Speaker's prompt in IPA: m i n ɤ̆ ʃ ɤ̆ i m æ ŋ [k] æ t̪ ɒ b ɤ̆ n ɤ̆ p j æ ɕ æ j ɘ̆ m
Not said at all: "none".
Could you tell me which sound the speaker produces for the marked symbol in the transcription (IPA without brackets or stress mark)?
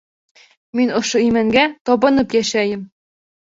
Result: ɡ